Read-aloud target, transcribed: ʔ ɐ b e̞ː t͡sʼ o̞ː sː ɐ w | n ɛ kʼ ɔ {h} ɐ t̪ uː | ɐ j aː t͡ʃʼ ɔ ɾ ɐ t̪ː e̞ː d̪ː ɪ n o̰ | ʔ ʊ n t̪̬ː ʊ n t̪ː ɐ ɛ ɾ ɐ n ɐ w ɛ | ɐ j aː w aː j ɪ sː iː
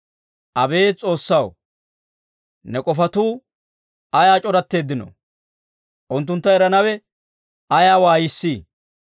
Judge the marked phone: incorrect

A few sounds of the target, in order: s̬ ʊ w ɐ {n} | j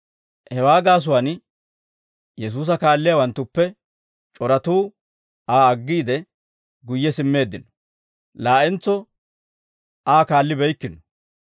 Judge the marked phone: correct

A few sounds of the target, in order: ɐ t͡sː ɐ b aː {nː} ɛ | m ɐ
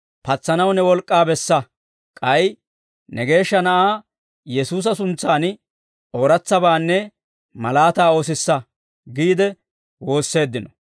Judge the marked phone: correct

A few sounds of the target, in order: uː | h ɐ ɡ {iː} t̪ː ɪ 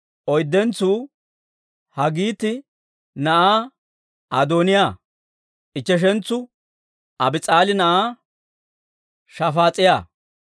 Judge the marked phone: correct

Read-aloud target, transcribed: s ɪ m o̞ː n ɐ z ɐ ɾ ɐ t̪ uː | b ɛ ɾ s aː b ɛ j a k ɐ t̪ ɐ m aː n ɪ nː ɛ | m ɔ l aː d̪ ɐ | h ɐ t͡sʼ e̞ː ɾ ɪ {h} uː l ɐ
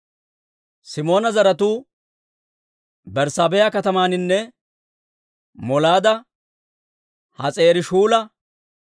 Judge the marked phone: incorrect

